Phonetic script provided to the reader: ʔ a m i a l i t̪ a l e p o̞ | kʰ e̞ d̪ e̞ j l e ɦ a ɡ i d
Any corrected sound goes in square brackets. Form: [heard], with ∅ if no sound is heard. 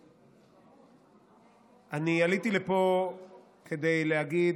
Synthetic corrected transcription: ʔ a [n] i a l i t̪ [i] l e p o̞ | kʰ e̞ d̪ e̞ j l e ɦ a ɡ i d